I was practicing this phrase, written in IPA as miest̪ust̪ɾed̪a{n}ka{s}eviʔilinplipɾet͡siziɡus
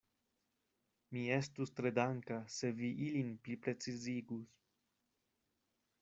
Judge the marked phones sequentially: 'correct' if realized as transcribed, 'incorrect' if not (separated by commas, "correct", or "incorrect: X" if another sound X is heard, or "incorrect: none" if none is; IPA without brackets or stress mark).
incorrect: ŋ, correct